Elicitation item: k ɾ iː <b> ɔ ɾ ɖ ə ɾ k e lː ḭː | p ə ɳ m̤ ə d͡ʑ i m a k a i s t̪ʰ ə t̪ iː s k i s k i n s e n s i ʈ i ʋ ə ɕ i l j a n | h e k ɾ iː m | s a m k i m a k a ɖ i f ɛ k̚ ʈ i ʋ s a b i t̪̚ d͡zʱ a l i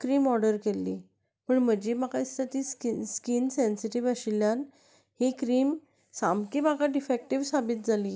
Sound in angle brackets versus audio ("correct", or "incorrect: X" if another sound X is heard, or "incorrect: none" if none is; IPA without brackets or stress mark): incorrect: m